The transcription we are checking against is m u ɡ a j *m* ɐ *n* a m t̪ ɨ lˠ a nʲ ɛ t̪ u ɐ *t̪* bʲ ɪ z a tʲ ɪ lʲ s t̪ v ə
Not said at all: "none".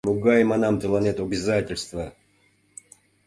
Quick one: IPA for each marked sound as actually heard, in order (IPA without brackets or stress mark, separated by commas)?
m, n, none